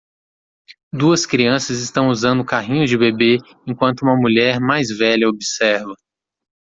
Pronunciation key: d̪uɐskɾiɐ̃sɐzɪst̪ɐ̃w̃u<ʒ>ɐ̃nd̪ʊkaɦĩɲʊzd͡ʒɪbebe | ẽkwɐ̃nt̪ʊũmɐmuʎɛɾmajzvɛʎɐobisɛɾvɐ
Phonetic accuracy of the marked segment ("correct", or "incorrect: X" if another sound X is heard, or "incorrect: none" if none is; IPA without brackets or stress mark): incorrect: z